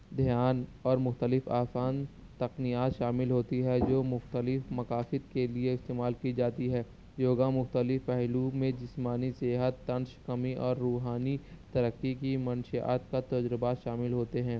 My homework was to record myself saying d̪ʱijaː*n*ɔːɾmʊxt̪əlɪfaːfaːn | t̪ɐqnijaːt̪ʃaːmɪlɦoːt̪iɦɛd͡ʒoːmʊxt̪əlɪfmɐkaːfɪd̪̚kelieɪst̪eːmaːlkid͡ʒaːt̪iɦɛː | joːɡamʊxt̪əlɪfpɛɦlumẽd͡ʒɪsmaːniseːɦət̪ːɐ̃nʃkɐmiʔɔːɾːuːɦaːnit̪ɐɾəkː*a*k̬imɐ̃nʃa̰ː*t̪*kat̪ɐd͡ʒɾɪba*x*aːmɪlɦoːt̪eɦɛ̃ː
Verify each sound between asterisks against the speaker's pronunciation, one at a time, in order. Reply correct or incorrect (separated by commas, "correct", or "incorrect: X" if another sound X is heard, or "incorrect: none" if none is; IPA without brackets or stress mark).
correct, incorrect: i, correct, incorrect: ʃ